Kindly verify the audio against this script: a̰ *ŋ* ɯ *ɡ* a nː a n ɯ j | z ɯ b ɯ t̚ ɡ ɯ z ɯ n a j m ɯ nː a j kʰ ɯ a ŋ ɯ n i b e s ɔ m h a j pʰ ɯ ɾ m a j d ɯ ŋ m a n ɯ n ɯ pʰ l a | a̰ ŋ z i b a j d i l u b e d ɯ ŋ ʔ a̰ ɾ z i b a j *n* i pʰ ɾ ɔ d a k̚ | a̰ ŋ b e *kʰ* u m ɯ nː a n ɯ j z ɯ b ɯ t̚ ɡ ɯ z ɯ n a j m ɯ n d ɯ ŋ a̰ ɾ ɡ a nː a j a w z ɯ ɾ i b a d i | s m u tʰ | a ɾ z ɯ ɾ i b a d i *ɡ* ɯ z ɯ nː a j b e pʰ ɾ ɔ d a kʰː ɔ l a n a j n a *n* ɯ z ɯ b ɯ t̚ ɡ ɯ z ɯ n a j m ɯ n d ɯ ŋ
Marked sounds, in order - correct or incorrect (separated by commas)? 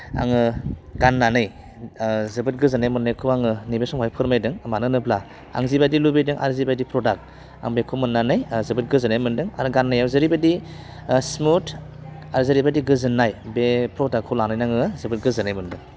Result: correct, correct, incorrect, correct, correct, incorrect